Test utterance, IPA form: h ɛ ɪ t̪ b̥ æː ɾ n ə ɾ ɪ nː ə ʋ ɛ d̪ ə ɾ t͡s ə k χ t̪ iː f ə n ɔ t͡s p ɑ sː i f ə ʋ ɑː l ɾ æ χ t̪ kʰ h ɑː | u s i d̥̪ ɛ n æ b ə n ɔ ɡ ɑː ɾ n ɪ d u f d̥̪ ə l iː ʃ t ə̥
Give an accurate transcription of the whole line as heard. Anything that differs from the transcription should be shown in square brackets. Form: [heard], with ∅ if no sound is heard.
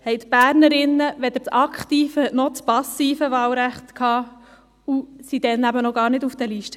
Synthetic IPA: h ɛ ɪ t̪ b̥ æː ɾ n ə ɾ ɪ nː ə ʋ ɛ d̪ ə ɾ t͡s [ɑ] k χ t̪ iː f ə n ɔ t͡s p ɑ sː [iː] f ə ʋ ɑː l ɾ æ χ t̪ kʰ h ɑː | u s i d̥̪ ɛ n æ b ə n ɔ ɡ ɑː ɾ n ɪ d u f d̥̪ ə l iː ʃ t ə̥

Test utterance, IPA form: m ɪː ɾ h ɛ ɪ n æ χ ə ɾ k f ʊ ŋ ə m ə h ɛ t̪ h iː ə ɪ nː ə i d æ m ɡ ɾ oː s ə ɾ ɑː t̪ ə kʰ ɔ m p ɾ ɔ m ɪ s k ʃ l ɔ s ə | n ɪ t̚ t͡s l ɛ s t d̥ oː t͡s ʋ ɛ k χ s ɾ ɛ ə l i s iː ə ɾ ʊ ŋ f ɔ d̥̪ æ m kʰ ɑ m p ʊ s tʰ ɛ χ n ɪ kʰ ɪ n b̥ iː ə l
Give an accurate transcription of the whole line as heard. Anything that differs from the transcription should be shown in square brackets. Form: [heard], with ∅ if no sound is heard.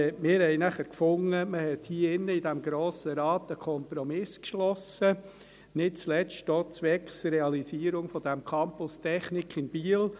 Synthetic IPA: m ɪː ɾ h ɛ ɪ n æ χ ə ɾ k f ʊ ŋ ə m ə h ɛ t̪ h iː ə ɪ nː ə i d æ m ɡ ɾ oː s ə ɾ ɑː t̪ ə kʰ ɔ m p ɾ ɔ m ɪ s k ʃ l ɔ s ə | n ɪ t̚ t͡s l ɛ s t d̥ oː t͡s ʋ ɛ k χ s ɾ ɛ [ɑ] l i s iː ə ɾ ʊ ŋ f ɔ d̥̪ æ m kʰ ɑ m p ʊ s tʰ ɛ χ n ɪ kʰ ɪ n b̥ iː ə l

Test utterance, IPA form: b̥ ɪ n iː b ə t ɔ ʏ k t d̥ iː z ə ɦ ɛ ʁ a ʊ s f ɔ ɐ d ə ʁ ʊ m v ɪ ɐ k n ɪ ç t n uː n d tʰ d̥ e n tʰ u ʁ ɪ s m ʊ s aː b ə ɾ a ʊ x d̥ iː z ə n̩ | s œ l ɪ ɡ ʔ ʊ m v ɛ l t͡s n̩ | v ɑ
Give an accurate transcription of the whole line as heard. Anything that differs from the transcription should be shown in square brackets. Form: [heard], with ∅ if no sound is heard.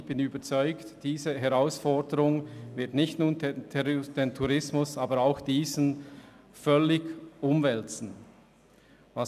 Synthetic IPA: b̥ ɪ n [yː] b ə [t͡s] ɔ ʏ k t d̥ iː z ə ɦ ɛ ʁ a ʊ s f ɔ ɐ d ə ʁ ʊ [ŋ] v ɪ ɐ [t] n ɪ ç t n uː n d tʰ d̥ e n tʰ u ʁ ɪ s m ʊ s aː b ə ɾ a ʊ x d̥ iː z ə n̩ | [f] œ l ɪ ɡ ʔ ʊ m v ɛ l t͡s n̩ | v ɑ

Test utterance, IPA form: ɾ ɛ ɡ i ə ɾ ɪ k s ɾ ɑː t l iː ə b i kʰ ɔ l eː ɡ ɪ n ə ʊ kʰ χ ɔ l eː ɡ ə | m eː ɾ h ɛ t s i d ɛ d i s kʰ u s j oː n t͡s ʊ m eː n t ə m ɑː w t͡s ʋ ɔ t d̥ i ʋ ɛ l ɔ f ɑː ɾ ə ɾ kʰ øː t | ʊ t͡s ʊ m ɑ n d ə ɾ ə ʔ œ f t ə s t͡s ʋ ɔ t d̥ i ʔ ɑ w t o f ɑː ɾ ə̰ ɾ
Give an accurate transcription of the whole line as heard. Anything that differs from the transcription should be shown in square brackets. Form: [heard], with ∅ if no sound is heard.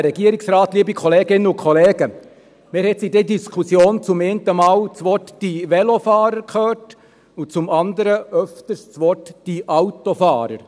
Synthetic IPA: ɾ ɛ ɡ i ə ɾ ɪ k s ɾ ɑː t l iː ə b i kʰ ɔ l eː ɡ ɪ n ə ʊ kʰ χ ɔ l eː ɡ ə | m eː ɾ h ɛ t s i d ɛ d i s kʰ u s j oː n t͡s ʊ m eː n t ə m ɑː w t͡s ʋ ɔ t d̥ i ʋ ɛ l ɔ f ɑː ɾ ə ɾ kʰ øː t | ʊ t͡s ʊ m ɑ n d ə ɾ ə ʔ œ f t ə s t͡s ʋ ɔ t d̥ i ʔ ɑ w t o f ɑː ɾ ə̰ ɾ

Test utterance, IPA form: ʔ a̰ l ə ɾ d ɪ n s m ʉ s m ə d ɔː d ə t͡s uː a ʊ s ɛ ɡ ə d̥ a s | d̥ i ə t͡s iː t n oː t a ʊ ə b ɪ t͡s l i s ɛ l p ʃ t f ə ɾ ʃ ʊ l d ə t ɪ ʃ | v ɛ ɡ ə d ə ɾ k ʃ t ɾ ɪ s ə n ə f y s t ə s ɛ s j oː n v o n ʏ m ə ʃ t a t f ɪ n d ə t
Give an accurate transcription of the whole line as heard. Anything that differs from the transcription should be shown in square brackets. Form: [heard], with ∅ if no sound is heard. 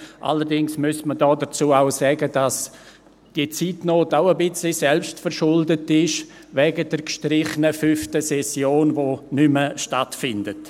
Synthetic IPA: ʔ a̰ l ə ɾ d ɪ [ŋ] s m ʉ s m ə d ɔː d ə t͡s uː a ʊ s ɛ ɡ ə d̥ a s | d̥ i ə t͡s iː t n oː t a ʊ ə b ɪ t͡s l i s ɛ l p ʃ t f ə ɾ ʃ ʊ l d ə t ɪ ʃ | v ɛ ɡ ə d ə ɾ k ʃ t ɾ ɪ [χ] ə n ə f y [f] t ə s ɛ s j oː n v o n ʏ m ə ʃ t a t f ɪ n d ə t

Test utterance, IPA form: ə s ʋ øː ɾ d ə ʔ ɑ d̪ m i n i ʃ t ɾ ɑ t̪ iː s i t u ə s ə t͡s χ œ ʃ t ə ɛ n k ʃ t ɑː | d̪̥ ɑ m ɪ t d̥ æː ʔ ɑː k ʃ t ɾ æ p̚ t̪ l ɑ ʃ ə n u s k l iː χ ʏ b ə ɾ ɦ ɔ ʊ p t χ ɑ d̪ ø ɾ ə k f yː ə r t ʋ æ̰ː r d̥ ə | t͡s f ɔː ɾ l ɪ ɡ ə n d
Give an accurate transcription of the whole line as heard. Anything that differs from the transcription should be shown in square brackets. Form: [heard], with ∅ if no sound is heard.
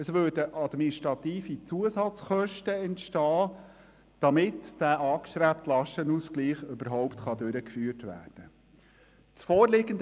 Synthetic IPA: ə s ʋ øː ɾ d ə ʔ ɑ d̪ m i n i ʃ t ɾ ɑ t̪ iː [f] i [t͡s] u ə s [ɑ] t͡s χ œ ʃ t ə ɛ n [t] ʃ t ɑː | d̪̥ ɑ m ɪ t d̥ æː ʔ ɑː k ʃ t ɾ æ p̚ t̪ l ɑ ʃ ə n u s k l iː χ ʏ b ə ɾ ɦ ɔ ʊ p t χ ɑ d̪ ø ɾ ə k f yː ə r t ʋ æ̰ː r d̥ ə | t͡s f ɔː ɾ l ɪ ɡ ə n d

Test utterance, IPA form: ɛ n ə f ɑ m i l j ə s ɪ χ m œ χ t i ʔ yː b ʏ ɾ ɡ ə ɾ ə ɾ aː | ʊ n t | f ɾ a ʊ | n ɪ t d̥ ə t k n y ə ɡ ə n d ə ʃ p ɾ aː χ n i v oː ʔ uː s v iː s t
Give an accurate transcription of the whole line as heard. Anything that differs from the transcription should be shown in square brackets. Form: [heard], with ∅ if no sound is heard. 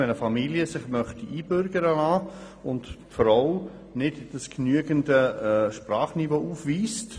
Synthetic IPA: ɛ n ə f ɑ m i l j ə s ɪ χ m œ χ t i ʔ [iː] b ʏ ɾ ɡ ə ɾ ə [l] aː | ʊ n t | f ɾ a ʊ | n ɪ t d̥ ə [s] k n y ə ɡ ə n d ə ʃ p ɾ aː χ n i v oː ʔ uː [f] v iː s t

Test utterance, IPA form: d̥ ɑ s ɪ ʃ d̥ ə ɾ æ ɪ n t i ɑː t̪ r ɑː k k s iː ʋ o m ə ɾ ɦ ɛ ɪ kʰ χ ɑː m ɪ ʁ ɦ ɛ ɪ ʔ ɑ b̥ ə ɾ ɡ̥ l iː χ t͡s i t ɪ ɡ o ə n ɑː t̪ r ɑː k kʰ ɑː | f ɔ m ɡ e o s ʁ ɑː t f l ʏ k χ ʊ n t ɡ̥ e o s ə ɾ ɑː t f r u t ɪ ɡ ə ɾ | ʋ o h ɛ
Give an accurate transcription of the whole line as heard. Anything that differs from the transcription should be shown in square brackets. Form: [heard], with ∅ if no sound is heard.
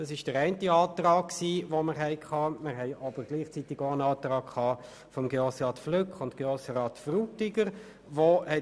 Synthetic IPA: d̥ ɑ s ɪ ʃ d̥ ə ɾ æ ɪ n t i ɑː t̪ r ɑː k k s iː ʋ o m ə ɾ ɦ ɛ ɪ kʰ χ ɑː m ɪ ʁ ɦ ɛ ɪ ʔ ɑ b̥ ə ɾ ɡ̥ l iː χ t͡s i t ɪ ɡ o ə n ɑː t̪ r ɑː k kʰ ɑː | f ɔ m ɡ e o s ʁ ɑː t f l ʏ k χ ʊ n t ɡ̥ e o s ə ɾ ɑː t f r u t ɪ ɡ ə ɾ | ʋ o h ɛ

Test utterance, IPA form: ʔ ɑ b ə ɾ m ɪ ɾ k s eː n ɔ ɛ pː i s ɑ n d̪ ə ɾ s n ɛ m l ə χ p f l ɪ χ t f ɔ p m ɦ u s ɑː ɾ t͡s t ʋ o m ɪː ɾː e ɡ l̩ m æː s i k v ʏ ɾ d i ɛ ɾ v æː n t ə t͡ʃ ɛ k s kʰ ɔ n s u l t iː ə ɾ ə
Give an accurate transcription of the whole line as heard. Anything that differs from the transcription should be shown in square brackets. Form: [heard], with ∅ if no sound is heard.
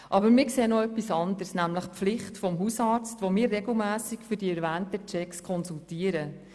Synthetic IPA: ʔ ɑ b ə ɾ m ɪ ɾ k s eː n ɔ [œ] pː i s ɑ n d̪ ə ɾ s n [æ] m l ə χ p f l ɪ χ t f ɔ [∅] m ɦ u s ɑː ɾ t͡s t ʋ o m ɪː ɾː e ɡ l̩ m æː s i k [f] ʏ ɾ d i ɛ ɾ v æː n t ə t͡ʃ ɛ k s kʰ ɔ n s u l t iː ə ɾ ə

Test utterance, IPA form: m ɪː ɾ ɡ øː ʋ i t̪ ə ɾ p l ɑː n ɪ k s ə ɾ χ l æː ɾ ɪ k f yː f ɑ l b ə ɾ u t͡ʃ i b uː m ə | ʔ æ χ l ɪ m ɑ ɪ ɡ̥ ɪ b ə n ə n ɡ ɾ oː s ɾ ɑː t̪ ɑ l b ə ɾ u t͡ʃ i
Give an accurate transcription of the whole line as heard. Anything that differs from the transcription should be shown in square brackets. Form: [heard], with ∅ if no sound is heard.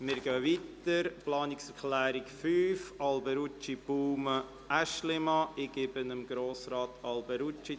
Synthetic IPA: m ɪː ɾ ɡ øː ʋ i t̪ ə ɾ p l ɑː n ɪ k s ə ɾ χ l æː ɾ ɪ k f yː f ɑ l b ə ɾ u t͡ʃ i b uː m ə | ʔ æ [ʃ] l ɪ m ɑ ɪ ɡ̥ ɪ b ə n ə [m] ɡ ɾ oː s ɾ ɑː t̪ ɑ l b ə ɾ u t͡ʃ i

